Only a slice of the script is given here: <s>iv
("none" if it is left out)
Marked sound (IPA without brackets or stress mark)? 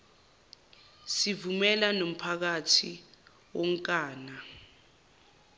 s